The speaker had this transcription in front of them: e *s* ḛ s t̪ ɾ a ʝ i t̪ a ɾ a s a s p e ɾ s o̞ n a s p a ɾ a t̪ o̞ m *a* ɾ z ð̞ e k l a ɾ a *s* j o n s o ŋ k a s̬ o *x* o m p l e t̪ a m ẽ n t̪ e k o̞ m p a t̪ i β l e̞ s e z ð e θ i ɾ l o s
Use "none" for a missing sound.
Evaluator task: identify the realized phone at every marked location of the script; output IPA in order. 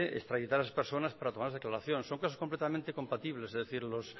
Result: none, a, θ, k

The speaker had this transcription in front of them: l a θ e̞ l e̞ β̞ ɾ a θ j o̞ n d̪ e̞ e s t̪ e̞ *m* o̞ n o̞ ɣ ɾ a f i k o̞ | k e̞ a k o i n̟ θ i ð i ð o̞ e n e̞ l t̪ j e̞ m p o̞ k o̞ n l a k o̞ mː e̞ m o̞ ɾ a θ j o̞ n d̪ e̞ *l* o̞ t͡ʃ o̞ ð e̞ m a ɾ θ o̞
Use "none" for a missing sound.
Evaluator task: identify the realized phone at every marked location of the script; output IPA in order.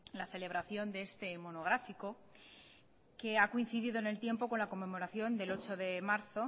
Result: m, l

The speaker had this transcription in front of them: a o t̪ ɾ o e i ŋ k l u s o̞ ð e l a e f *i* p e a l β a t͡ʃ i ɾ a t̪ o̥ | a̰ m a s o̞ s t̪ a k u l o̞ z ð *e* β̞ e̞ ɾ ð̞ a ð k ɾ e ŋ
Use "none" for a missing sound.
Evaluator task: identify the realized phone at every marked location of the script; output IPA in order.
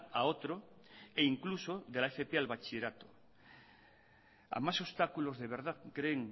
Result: e, e

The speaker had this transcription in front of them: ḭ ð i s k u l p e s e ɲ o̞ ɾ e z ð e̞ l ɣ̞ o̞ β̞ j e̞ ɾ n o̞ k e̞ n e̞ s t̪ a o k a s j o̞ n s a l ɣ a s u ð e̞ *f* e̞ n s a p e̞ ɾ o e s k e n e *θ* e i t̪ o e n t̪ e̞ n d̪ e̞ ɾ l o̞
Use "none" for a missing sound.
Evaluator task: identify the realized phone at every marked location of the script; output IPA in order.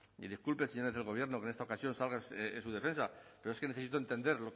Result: f, θ

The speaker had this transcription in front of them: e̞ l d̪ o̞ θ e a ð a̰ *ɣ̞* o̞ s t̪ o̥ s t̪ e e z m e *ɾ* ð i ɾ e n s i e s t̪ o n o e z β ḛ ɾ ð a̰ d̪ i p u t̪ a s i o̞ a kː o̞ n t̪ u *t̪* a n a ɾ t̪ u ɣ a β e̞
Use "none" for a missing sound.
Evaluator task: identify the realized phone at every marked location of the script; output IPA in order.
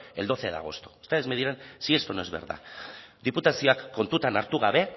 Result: ɣ̞, none, t̪

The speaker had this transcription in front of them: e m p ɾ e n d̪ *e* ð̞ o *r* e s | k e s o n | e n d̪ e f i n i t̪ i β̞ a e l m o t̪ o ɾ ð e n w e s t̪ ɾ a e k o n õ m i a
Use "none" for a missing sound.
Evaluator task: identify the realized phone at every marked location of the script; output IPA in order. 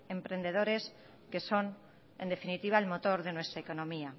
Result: e, ɾ

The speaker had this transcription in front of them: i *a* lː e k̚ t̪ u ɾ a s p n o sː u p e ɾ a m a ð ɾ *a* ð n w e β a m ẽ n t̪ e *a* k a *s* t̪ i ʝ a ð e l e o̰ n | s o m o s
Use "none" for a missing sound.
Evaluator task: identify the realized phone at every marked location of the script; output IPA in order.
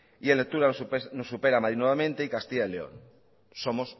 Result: e, i, i, s

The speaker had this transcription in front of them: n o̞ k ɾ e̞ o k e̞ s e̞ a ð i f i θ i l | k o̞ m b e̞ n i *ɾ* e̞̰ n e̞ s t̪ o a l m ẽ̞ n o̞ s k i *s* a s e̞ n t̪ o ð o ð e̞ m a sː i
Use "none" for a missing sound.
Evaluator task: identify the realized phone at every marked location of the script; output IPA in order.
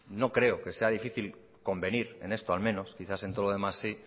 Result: ɾ, θ

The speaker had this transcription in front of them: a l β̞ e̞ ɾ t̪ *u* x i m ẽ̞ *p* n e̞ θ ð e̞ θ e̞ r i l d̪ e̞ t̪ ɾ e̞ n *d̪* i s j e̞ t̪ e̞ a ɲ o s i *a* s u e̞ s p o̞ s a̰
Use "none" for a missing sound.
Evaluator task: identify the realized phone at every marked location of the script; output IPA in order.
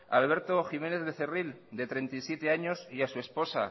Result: o, none, t̪, a

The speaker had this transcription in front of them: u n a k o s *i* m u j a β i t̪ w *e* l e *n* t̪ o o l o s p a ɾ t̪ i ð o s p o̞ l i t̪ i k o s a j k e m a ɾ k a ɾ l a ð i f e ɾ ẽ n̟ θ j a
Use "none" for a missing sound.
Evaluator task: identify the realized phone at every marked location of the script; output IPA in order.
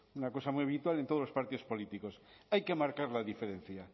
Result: a, a, n

